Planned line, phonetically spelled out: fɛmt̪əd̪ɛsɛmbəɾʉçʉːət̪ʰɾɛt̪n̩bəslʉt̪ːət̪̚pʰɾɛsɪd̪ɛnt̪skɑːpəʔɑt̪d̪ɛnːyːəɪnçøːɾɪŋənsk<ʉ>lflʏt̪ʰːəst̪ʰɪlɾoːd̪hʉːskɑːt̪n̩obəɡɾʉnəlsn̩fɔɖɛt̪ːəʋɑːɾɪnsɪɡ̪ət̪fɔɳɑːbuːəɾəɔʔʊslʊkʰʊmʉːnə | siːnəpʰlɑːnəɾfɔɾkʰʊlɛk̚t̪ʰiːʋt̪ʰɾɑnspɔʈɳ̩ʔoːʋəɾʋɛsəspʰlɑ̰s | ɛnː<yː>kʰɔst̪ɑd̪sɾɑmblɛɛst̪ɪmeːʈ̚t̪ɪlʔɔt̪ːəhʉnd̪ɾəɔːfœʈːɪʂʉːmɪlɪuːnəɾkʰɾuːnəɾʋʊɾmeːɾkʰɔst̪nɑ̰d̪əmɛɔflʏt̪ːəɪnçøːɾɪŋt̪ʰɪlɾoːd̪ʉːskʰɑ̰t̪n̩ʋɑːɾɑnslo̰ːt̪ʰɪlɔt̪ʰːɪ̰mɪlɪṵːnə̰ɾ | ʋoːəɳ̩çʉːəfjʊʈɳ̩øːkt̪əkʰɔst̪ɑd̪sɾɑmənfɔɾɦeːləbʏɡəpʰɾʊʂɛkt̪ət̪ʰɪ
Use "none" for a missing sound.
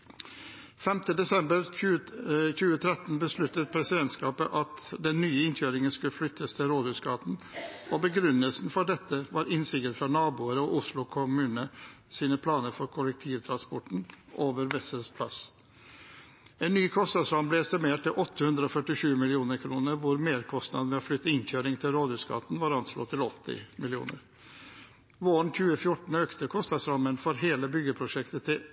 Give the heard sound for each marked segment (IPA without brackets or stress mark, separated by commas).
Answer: ʉ, yː